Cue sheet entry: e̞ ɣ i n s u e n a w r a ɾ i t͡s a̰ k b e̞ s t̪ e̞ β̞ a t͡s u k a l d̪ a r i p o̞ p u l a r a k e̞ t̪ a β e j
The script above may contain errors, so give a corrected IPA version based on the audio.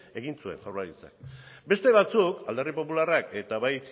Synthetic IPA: e̞ ɣ i n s u e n a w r a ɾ i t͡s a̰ k b e̞ s t̪ e̞ β̞ a t͡s u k a l d̪ a r i p o̞ p u l a r a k e̞ t̪ a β a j

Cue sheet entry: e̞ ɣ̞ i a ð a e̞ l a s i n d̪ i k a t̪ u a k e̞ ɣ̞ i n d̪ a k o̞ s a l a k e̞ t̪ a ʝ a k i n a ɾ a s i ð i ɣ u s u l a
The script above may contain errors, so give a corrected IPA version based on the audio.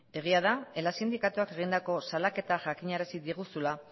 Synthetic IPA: e̞ ɣ̞ i a ð a e̞ l a s i n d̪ i k a t̪ u a k e̞ ɣ̞ i n d̪ a k o̞ s a l a k e̞ t̪ a ʝ a k i ɲ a ɾ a s i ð i ɣ u s u l a

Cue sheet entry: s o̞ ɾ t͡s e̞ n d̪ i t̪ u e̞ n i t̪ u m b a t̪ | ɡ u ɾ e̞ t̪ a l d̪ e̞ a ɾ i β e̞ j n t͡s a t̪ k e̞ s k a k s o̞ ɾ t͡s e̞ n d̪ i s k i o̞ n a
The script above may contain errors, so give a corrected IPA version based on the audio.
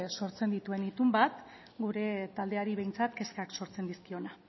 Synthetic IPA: s o̞ ɾ t͡s e̞ n d̪ i t̪ u e̞ n i t̪ u m b a t̪ | ɡ u ɾ e̞ t̪ a l d̪ e̞ a ɾ i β e̞ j n t͡s a t̪ k e̞ s k a k s o̞ ɾ t͡s e̞ n d̪ i s k i o̞ n a

